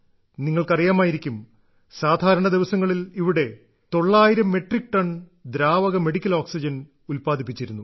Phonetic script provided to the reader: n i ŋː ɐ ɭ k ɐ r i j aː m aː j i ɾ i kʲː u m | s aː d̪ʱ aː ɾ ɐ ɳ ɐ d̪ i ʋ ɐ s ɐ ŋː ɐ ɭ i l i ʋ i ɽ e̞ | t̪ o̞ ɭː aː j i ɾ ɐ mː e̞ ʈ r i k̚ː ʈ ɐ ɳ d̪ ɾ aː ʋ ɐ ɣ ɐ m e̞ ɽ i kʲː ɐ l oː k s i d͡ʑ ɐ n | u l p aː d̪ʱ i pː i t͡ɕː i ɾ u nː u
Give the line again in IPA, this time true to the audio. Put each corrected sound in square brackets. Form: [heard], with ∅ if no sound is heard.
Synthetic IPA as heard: n i ŋː ɐ ɭ k ɐ r i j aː m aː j i ɾ i kʲː u m | s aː d̪ʱ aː ɾ ɐ ɳ ɐ d̪ i ʋ ɐ s ɐ ŋː ɐ ɭ i l i ʋ i ɽ e̞ | t̪ o̞ ɭː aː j i ɾ ɐ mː e̞ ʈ r i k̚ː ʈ ɐ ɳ d̪ ɾ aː ʋ ɐ ɣ ɐ m e̞ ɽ i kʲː ɐ l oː k s i d͡ʑ ɐ n | u l p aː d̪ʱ i pː i t͡ɕː i ɾ u nː u

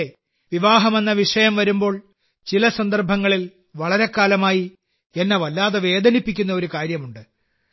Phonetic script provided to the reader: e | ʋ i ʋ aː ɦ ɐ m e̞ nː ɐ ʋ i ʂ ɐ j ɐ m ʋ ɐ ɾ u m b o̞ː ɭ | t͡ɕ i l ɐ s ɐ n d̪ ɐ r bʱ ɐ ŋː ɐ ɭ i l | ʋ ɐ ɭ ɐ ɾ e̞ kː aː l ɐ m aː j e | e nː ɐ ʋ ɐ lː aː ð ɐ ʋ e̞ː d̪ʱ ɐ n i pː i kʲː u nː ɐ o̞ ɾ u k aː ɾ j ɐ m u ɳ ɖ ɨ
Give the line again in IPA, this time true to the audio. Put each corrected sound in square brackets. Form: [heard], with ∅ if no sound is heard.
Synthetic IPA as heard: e | ʋ i ʋ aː ɦ ɐ m e̞ nː ɐ ʋ i ʂ ɐ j ɐ m ʋ ɐ ɾ u m b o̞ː ɭ | t͡ɕ i l ɐ s ɐ n d̪ ɐ r bʱ ɐ ŋː ɐ ɭ i l | ʋ ɐ ɭ ɐ ɾ e̞ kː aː l ɐ m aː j [i] | e nː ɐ ʋ ɐ lː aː ð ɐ ʋ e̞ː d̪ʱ ɐ n i pː i kʲː u nː ɐ o̞ ɾ u k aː ɾ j ɐ m u ɳ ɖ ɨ

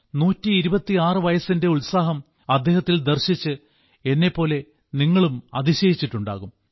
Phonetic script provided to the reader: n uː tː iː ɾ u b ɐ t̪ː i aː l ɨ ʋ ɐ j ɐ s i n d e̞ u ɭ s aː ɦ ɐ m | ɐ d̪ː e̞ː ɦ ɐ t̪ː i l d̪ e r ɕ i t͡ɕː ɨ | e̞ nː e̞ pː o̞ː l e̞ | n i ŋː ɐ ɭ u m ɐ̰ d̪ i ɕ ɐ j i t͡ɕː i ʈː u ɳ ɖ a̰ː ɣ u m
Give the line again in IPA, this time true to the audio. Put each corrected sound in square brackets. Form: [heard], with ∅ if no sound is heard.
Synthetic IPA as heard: n uː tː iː ɾ u b ɐ t̪ː i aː [r] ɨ ʋ ɐ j ɐ s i n d e̞ u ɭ s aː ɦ ɐ m | ɐ d̪ː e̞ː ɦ ɐ t̪ː i l d̪ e r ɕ i t͡ɕː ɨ | e̞ nː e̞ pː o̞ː l e̞ | n i ŋː ɐ ɭ u m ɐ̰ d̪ i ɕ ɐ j i t͡ɕː i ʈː u ɳ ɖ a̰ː ɣ u m

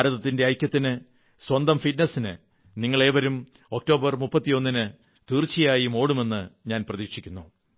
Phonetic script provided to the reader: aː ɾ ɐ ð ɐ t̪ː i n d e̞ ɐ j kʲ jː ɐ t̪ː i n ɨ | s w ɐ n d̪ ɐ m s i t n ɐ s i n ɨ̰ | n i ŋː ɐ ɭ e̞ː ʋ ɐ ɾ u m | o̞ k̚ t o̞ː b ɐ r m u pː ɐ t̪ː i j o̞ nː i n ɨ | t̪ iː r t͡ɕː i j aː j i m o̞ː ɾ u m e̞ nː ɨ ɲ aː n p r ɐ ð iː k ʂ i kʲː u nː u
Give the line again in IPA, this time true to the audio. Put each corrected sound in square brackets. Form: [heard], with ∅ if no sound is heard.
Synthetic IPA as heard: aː ɾ ɐ ð ɐ t̪ː i n d e̞ ɐ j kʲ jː ɐ t̪ː i n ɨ | s w ɐ n d̪ ɐ m [f] i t n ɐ s i n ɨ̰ | n i ŋː ɐ ɭ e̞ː ʋ ɐ ɾ u m | o̞ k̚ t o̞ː b ɐ r m u pː ɐ t̪ː i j o̞ nː i n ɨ | t̪ iː r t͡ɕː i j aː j i m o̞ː [ɽ] u m e̞ nː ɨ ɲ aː n p r ɐ ð iː k ʂ i kʲː u nː u

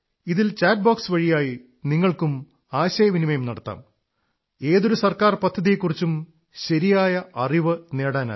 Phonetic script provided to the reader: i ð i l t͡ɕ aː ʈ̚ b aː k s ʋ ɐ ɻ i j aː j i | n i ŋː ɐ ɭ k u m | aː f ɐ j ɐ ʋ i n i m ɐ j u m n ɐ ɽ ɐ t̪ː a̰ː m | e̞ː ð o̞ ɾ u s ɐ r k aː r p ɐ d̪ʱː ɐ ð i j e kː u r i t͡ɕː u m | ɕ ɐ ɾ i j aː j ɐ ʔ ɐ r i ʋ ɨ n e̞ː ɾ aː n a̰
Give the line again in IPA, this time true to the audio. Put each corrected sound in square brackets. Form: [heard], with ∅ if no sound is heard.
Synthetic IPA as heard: i ð i l t͡ɕ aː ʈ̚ b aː k s ʋ ɐ ɻ i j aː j i | n i ŋː ɐ ɭ k u m | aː [ɕ] ɐ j ɐ ʋ i n i m ɐ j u m n ɐ ɽ ɐ t̪ː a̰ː m | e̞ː ð o̞ ɾ u s ɐ r k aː r p ɐ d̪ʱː ɐ ð i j e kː u r i t͡ɕː u m | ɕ ɐ ɾ i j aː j ɐ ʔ ɐ r i ʋ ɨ n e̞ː [ɽ] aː n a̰

